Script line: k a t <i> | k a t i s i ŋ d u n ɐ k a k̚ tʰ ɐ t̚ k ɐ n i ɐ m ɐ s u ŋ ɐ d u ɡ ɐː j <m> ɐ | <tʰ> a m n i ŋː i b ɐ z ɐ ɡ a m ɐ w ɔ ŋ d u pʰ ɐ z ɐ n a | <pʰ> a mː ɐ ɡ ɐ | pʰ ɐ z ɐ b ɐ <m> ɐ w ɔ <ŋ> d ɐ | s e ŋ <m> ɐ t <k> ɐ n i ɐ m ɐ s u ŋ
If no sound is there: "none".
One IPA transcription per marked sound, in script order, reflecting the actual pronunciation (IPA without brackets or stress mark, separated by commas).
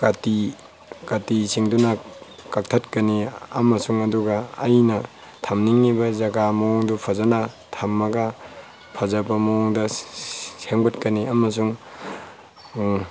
i, n, tʰ, tʰ, m, ŋ, b, k